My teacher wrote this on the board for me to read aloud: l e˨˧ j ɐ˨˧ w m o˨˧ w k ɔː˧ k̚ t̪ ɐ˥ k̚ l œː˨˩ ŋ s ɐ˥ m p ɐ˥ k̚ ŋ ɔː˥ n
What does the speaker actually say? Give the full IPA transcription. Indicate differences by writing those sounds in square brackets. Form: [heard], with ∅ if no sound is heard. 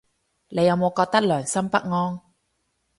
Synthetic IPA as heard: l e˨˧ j ɐ˨˧ w m o˨˧ w k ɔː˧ k̚ t̪ ɐ˥ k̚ l œː˨˩ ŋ s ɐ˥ m p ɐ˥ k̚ ŋ ɔː˥ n